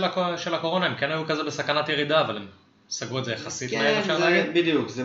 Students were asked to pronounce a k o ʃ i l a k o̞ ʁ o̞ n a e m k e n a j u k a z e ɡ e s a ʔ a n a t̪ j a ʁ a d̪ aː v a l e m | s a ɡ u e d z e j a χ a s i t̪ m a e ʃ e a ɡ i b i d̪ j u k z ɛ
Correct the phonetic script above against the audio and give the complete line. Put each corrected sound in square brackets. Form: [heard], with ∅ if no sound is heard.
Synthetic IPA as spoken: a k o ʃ [e] l a k o̞ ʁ o̞ n a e m k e n a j u k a z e [b] e s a [k] a n a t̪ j [e] ʁ [i] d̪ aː v a l e m | s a ɡ u e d z e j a χ a s i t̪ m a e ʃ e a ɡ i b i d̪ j u k z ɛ